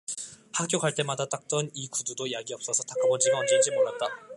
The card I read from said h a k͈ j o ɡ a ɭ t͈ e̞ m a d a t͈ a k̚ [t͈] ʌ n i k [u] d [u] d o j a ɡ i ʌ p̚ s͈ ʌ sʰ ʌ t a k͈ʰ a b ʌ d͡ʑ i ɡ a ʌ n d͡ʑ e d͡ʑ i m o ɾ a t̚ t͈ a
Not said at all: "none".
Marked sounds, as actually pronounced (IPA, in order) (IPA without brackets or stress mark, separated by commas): t͈, u, u